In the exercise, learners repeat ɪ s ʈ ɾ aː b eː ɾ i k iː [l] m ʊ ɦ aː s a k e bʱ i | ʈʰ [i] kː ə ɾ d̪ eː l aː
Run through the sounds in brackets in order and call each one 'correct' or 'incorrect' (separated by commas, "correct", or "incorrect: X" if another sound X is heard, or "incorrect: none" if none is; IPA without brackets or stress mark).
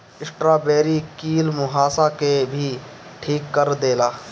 correct, incorrect: iː